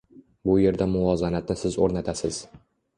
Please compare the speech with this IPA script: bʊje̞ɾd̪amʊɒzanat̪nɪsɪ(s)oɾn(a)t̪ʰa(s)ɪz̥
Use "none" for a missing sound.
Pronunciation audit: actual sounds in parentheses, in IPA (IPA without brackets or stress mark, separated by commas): z, a, s